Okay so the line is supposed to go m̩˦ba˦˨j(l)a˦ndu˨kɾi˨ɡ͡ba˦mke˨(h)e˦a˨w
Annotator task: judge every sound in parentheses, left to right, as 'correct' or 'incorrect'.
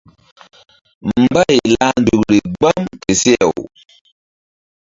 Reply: correct, incorrect: s

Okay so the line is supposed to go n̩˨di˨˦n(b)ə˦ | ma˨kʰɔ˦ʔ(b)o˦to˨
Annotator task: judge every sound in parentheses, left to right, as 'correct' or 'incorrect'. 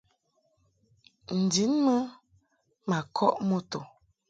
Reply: incorrect: m, incorrect: m

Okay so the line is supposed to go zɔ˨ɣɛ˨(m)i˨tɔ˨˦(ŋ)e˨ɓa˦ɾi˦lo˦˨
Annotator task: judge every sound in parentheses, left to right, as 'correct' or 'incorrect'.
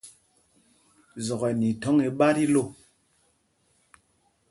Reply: incorrect: n, correct

